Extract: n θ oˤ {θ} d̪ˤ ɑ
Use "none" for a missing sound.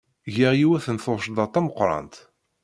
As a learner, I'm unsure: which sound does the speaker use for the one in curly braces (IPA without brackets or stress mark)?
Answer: ʃ